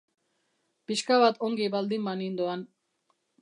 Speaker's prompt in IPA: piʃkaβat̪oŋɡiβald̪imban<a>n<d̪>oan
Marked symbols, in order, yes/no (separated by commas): no, yes